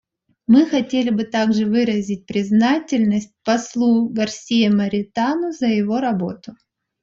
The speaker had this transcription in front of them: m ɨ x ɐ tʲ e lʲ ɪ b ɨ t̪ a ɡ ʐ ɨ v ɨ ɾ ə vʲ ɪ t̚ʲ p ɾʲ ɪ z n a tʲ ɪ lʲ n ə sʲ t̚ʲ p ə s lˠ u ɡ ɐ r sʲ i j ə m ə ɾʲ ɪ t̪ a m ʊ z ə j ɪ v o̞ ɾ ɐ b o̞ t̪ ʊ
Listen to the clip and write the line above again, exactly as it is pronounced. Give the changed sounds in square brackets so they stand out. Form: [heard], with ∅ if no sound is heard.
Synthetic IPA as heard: m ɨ x ɐ tʲ e lʲ ɪ b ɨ t̪ a ɡ ʐ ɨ v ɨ ɾ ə [zʲ] ɪ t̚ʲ p ɾʲ ɪ z n a tʲ ɪ lʲ n ə sʲ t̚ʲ p [ɐ] s lˠ u ɡ ɐ r sʲ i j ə m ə ɾʲ ɪ t̪ a [n] ʊ z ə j ɪ v o̞ ɾ ɐ b o̞ t̪ ʊ